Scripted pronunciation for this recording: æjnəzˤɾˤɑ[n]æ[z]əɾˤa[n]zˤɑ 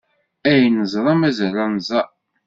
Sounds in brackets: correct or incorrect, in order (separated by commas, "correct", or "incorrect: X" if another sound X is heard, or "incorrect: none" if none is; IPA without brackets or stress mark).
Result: incorrect: m, correct, correct